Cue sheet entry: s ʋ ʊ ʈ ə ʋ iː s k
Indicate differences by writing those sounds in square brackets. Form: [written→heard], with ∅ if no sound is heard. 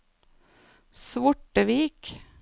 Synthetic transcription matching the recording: s ʋ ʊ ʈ ə ʋ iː [s→∅] k

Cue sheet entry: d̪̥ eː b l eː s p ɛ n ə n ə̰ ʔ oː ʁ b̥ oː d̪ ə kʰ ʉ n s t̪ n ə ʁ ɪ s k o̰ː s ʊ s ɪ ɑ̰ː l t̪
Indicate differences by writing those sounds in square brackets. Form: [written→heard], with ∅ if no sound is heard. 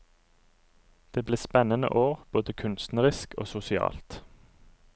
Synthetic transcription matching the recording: d̪̥ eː b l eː s p ɛ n ə n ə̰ ʔ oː ʁ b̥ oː d̪ ə kʰ ʉ n s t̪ n ə ʁ ɪ s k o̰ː s ʊ s ɪ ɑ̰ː l t̪

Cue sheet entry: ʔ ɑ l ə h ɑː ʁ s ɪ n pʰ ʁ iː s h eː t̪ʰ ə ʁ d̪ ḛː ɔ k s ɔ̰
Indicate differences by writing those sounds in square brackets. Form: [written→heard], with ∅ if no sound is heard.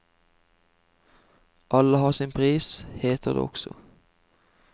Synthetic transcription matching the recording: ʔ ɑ l ə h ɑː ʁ s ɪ n pʰ ʁ iː s h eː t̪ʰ ə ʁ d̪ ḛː ɔ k s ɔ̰

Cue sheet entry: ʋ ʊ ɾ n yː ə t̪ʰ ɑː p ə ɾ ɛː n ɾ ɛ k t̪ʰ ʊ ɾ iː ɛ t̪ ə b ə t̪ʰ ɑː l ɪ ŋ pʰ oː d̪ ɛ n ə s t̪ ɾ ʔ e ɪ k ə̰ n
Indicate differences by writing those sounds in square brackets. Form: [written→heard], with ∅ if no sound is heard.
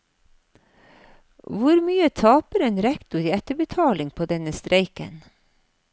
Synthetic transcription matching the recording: ʋ ʊ ɾ [n→m] yː ə t̪ʰ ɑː p ə ɾ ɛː n ɾ ɛ k [t̪ʰ→t̪] ʊ ɾ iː ɛ t̪ ə b ə t̪ʰ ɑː l ɪ ŋ pʰ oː d̪ ɛ n ə s t̪ ɾ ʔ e ɪ k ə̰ n

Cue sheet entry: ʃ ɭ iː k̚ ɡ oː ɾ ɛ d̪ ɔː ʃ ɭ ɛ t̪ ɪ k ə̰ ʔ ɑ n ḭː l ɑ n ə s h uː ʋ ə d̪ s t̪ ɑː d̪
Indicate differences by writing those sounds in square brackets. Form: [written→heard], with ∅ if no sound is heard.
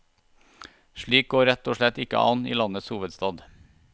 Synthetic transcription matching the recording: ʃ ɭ iː k̚ ɡ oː ɾ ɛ [d̪→t̪] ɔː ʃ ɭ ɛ t̪ ɪ k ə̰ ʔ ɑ n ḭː l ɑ n ə s h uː ʋ ə d̪ s t̪ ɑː d̪

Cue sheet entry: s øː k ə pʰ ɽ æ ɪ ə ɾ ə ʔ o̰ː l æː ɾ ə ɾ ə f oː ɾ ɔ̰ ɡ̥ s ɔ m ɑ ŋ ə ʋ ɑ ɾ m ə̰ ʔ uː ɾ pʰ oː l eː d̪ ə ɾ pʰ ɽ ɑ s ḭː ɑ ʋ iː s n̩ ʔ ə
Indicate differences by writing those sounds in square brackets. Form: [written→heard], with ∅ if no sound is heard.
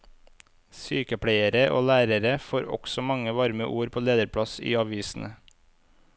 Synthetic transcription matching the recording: s [øː→yː] k ə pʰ ɽ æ ɪ ə ɾ ə ʔ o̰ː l æː ɾ ə ɾ ə f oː ɾ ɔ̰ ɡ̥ s ɔ m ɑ ŋ ə ʋ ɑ ɾ m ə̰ ʔ uː ɾ pʰ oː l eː d̪ ə ɾ pʰ ɽ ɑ s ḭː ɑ ʋ iː s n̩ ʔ ə

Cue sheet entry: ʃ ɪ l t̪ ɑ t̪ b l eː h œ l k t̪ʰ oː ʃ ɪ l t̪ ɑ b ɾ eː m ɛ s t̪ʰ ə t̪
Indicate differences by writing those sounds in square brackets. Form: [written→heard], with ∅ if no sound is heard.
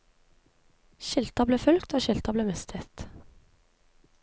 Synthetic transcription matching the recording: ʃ ɪ l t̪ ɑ [t̪→∅] b l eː [h→f] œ l k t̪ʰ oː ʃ ɪ l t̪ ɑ b [ɾ→l] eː m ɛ s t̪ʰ ə t̪

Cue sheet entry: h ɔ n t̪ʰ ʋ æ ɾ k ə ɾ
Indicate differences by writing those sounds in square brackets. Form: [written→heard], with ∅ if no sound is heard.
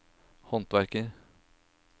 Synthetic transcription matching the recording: h ɔ n [t̪ʰ→t̪] ʋ æ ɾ k ə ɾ

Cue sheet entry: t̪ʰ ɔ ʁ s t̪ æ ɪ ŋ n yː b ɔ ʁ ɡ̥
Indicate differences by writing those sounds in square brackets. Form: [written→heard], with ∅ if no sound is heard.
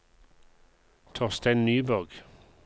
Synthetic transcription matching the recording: t̪ʰ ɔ ʁ s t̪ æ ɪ [ŋ→n] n yː b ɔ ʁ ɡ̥

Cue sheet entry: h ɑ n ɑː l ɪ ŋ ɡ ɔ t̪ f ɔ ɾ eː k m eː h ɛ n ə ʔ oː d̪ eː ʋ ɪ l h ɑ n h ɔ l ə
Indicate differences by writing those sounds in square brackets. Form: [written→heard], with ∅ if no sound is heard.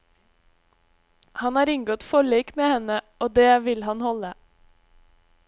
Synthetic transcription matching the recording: h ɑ n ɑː [l→ɾ] ɪ ŋ ɡ ɔ t̪ f ɔ [ɾ→ɭ] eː k m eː h ɛ n ə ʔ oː d̪ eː ʋ ɪ l h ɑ n h ɔ l ə

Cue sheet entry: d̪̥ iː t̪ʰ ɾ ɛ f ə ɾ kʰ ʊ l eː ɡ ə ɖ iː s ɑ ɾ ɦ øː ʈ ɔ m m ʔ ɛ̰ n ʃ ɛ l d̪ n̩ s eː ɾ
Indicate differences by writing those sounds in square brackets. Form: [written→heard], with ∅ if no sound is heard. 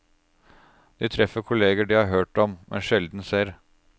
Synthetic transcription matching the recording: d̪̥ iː t̪ʰ ɾ ɛ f ə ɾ kʰ ʊ l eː ɡ ə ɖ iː [s→h] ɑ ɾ ɦ øː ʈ ɔ m m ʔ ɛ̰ n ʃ ɛ l d̪ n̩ s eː ɾ

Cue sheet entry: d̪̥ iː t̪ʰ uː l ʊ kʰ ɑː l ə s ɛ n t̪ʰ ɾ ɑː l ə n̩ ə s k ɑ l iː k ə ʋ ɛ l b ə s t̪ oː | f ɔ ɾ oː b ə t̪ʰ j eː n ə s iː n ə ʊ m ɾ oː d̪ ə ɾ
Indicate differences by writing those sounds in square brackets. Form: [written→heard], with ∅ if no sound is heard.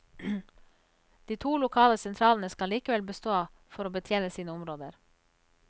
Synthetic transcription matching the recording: d̪̥ iː t̪ʰ uː l ʊ kʰ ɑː l ə s ɛ n t̪ʰ ɾ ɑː l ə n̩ ə s k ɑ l iː k ə ʋ ɛ l b ə s t̪ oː | f ɔ ɾ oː b ə t̪ʰ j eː n ə s iː n ə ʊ m ɾ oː d̪ ə ɾ

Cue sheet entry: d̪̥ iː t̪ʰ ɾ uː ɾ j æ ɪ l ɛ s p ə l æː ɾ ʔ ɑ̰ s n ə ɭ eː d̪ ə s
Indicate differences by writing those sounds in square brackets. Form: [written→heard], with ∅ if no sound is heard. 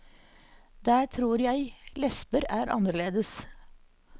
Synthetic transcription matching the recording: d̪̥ [iː→æː] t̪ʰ ɾ uː ɾ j æ ɪ l ɛ s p ə [l→ɾ] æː ɾ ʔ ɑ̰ [s→∅] n ə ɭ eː d̪ ə s

